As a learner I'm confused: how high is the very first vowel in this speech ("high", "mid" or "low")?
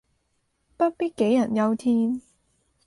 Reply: low